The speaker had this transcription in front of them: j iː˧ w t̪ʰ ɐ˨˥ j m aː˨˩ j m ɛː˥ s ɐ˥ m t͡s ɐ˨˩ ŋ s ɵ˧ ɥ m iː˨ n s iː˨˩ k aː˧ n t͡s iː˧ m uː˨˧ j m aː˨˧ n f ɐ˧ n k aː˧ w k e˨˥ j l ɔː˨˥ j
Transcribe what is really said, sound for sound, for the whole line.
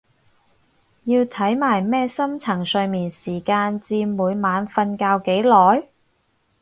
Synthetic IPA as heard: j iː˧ w t̪ʰ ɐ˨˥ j m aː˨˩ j m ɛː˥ s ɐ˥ m t͡sʰ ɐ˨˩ ŋ s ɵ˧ ɥ m iː˨ n s iː˨˩ k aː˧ n t͡s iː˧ m uː˨˧ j m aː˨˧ n f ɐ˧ n k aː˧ w k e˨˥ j l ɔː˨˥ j